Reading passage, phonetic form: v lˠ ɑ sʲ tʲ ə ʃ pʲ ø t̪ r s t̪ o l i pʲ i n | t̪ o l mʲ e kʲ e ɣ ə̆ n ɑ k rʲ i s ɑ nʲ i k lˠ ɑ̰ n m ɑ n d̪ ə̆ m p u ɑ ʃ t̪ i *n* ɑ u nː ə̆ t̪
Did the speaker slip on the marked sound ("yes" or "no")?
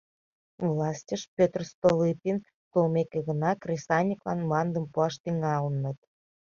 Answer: yes